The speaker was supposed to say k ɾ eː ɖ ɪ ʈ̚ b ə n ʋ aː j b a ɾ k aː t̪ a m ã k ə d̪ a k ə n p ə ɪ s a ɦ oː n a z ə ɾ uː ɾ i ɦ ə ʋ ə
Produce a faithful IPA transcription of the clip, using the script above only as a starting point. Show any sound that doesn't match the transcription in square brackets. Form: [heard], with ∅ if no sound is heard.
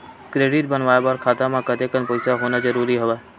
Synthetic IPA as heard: k ɾ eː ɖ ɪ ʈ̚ b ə n ʋ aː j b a ɾ [kʰ] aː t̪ a m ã k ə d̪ [e] k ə n p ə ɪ s a ɦ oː n a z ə ɾ uː ɾ i ɦ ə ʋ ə